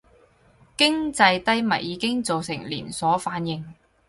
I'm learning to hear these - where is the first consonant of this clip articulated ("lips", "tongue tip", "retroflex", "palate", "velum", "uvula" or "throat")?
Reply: velum